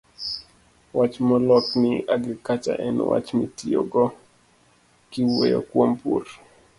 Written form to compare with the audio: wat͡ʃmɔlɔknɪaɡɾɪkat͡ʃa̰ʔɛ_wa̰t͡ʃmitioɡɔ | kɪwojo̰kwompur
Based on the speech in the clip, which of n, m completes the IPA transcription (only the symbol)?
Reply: n